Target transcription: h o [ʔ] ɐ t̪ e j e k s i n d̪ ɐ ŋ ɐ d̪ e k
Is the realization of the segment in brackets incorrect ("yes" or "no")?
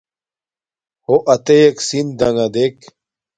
no